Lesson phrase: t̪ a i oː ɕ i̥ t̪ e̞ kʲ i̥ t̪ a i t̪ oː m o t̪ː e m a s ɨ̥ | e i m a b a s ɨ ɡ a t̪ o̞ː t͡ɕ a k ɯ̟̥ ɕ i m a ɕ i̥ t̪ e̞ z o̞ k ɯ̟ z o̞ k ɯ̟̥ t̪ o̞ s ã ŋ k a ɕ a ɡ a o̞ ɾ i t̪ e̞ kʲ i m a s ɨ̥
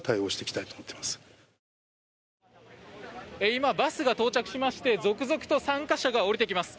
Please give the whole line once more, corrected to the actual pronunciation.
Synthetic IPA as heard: t̪ a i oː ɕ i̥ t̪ e̞ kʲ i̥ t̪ a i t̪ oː m o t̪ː e m a s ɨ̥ | e i m a b a s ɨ ɡ a t̪ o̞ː t͡ɕ a k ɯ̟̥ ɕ i m a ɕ i̥ t̪ e̞ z o̞ k ɯ̟ z o̞ k ɯ̟̥ t̪ o̞ s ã ŋ k a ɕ a ɡ a o̞ ɾ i t̪ e̞ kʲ i m a s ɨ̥

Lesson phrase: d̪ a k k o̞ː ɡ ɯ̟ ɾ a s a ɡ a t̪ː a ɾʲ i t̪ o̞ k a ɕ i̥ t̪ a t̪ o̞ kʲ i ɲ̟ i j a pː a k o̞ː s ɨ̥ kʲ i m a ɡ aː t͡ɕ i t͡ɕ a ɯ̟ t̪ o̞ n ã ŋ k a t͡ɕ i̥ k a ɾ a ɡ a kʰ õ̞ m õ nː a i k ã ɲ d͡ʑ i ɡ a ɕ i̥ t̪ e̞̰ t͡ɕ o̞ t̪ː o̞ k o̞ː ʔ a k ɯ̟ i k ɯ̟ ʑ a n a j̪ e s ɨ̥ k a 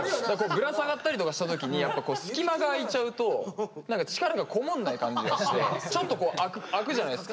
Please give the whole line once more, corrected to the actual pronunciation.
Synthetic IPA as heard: d̪ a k k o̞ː ɡ ɯ̟ ɾ a s a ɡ a t̪ː a ɾʲ i t̪ o̞ k a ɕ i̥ t̪ a t̪ o̞ kʲ i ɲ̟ i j a pː a k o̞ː s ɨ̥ kʲ i m a ɡ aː i t͡ɕ a ɯ̟ t̪ o̞ n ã ŋ k a t͡ɕ i̥ k a ɾ a ɡ a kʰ o̞ m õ nː a i k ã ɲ d͡ʑ i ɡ a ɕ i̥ t̪ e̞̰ t͡ɕ o̞ t̪ː o̞ k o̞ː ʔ a k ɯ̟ a k ɯ̟ ʑ a n a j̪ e s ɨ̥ k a

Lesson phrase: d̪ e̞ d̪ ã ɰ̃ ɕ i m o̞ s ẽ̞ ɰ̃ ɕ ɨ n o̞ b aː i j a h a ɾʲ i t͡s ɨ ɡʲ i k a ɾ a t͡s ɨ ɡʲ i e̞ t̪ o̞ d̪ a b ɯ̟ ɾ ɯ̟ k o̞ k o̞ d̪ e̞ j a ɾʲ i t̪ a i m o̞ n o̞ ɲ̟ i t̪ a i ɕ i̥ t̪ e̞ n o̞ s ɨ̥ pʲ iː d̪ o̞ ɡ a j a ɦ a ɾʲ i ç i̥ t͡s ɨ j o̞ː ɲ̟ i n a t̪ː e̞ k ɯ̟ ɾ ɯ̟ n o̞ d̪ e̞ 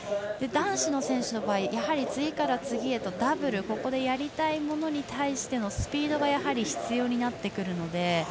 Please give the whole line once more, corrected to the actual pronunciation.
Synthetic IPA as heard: d̪ e̞ d̪ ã ɰ̃ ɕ i n o̞ s ẽ̞ ɰ̃ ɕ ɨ n o̞ b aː i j a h a ɾʲ i t͡s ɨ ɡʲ i k a ɾ a t͡s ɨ ɡʲ i e̞ t̪ o̞ d̪ a b ɯ̟ ɾ ɯ̟ k o̞ k o̞ d̪ e̞ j a ɾʲ i t̪ a i m o̞ n o̞ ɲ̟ i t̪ a i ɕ i̥ t̪ e̞ n o̞ s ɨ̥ pʲ iː d̪ o̞ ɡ a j a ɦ a ɾʲ i ç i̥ t͡s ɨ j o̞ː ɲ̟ i n a t̪ː e̞ k ɯ̟ ɾ ɯ̟ n o̞ d̪ e̞

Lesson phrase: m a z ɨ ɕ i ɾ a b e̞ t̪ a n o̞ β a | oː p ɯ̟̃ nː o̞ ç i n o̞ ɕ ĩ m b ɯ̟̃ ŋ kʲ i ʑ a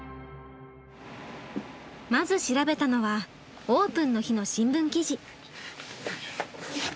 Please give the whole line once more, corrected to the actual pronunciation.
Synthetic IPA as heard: m a z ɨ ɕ i ɾ a b e̞ t̪ a n o̞ β a | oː p ɯ̟̃ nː o̞ ç i n o̞ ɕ ĩ m b ɯ̟̃ ŋ kʲ i ʑ i

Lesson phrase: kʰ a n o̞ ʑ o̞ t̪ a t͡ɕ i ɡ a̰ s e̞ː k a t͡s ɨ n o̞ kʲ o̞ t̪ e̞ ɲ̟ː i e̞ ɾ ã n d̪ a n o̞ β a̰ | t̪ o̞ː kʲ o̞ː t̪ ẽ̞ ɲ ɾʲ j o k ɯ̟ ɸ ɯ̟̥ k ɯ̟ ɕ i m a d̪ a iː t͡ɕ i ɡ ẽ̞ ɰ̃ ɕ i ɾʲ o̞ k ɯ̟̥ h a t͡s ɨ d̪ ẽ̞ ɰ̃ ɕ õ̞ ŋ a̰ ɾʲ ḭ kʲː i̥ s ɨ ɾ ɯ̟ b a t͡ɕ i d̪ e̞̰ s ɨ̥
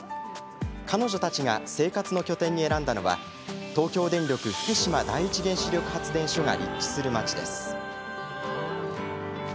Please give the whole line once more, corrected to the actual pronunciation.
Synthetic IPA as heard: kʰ a n o̞ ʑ o̞ t̪ a t͡ɕ i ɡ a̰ s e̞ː k a t͡s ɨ n o̞ kʲ o̞ t̪ ẽ̞ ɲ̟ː i e̞ ɾ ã n d̪ a n o̞ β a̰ | t̪ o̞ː kʲ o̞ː d̪ ẽ̞ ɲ ɾʲ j o k ɯ̟ ɸ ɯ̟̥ k ɯ̟ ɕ i m a d̪ a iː t͡ɕ i ɡ ẽ̞ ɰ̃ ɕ i ɾʲ o̞ k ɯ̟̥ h a t͡s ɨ d̪ ẽ̞ ɰ̃ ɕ o̞ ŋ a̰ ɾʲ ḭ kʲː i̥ s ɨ ɾ ɯ̟ m a t͡ɕ i d̪ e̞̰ s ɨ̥

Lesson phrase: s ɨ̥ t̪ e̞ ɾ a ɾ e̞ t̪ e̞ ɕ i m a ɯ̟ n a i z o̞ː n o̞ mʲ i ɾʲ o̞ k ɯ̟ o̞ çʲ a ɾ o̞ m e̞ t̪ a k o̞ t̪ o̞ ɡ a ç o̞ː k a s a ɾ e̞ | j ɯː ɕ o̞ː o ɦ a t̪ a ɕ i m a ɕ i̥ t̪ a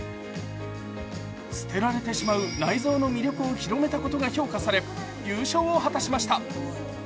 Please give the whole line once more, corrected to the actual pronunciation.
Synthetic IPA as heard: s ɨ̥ t̪ e̞ ɾ a ɾ e̞ t̪ e̞ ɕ i m a ɯ̟ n a i z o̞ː n o̞ mʲ i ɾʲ o̞ k ɯ̟ o̞ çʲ i ɾ o̞ m e̞ t̪ a k o̞ t̪ o̞ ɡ a ç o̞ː k a s a ɾ e̞ | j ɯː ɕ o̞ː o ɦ a t̪ a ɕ i m a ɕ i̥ t̪ a

